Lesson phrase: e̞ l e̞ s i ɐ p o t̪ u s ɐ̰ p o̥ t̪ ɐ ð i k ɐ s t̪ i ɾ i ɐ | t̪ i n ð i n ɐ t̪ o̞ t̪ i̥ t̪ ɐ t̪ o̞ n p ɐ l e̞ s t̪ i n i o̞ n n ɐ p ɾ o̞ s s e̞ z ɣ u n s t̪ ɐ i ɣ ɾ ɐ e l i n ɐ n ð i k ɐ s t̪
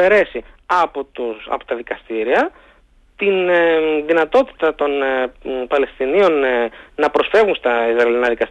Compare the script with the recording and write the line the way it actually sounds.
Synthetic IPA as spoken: e̞ ɾ e̞ s i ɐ p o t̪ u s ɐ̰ p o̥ t̪ ɐ ð i k ɐ s t̪ i ɾ i ɐ | t̪ i n ð i n ɐ t̪ o̞ t̪ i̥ t̪ ɐ t̪ o̞ n p ɐ l e̞ s t̪ i n i o̞ n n ɐ p ɾ o̞ s f e̞ v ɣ u n s t̪ ɐ i z ɾ ɐ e l i n ɐ ð i k ɐ s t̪